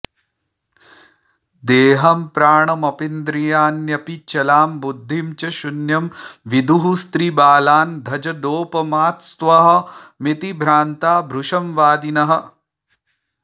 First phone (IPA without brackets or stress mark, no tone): d̪